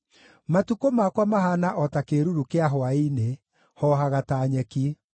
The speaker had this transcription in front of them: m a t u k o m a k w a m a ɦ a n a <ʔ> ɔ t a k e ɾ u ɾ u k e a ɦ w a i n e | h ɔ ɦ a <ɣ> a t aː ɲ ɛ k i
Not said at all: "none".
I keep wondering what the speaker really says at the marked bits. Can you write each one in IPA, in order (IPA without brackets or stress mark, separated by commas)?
ʔ, ɣ